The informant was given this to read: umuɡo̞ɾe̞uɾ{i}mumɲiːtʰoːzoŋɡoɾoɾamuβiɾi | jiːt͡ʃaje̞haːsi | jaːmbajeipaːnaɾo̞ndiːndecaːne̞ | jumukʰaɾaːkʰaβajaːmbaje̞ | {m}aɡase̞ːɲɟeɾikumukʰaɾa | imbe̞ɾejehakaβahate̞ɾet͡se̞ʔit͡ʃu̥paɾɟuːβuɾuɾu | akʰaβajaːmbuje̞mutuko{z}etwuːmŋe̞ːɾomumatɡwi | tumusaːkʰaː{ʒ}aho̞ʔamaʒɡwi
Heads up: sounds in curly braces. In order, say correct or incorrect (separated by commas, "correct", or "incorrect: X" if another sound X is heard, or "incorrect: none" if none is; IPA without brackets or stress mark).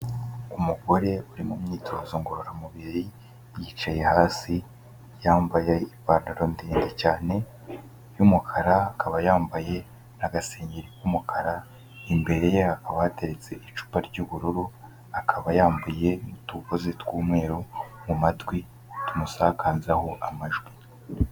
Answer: correct, incorrect: n, correct, incorrect: z